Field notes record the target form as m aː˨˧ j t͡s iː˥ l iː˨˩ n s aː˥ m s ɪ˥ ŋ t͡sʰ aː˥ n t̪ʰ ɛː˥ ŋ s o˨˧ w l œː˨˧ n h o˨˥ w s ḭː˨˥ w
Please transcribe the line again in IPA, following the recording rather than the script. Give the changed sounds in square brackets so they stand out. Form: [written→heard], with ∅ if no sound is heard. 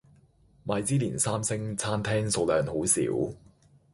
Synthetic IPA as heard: m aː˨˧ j t͡s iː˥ l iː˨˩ n s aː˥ m s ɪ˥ ŋ t͡sʰ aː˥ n t̪ʰ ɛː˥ ŋ s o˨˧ w l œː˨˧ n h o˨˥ w s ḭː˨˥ w